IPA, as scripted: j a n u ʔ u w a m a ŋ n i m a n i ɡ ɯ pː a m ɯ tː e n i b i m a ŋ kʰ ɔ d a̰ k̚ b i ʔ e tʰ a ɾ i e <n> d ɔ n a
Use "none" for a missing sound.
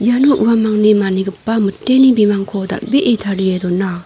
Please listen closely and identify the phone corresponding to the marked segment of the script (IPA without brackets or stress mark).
none